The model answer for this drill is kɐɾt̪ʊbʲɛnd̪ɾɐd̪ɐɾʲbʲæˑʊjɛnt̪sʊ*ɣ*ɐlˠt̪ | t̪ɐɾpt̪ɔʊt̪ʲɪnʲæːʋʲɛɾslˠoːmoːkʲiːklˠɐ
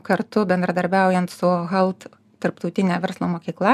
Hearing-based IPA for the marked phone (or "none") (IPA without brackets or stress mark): ɣ